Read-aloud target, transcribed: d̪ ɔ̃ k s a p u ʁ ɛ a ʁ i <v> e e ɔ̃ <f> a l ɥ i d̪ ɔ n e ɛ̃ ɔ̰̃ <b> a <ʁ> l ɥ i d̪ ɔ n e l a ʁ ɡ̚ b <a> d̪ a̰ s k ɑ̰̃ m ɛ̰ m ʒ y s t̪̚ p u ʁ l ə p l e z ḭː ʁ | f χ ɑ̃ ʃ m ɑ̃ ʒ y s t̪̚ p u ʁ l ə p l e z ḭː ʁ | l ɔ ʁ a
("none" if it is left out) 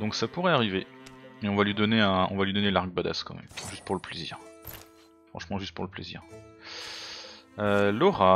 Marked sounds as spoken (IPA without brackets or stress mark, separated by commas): v, v, v, none, a